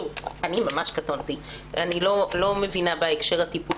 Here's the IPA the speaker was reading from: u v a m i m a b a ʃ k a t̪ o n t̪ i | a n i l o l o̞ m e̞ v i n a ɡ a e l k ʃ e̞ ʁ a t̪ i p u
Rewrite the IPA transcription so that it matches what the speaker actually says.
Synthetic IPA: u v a n i m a m a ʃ k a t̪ o n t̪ i | a n i l o l o̞ m e̞ v i n a b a e k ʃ e̞ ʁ a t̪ i p u